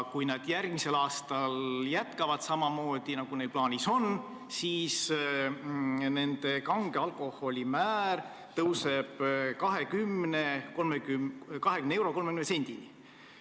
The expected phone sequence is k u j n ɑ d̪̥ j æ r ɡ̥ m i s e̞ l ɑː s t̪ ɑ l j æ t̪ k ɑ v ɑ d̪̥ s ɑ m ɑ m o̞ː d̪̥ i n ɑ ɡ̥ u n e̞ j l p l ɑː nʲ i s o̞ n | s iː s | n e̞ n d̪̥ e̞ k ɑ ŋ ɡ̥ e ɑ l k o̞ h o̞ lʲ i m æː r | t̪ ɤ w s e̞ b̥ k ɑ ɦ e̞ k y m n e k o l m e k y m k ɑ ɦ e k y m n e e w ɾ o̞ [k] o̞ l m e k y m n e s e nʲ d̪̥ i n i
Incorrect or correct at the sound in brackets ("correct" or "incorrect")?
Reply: correct